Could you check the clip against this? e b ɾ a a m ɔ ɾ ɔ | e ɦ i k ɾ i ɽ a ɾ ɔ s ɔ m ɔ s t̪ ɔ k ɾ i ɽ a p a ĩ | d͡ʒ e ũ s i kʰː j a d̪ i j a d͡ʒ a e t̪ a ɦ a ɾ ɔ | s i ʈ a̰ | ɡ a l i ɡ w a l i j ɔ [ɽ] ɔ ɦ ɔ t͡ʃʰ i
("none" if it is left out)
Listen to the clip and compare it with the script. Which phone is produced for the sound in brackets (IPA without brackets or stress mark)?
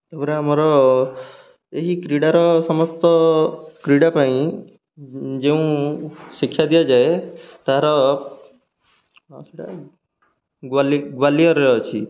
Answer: ɾ